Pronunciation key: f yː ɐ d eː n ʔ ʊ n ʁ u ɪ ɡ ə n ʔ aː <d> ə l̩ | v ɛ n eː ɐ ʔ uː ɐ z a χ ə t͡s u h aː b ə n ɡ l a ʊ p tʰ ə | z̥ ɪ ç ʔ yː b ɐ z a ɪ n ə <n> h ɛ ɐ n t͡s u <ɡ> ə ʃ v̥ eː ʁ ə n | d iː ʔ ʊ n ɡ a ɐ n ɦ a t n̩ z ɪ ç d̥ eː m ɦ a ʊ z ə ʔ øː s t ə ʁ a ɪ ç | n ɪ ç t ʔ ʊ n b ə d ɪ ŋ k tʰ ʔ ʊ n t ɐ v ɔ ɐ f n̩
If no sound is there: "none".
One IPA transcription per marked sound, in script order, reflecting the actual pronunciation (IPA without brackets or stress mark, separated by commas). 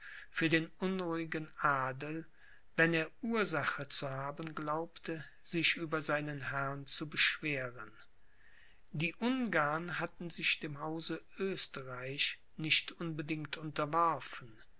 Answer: d, n, b